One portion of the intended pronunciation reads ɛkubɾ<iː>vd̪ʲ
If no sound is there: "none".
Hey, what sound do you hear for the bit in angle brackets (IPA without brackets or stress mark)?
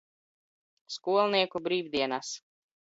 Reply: iː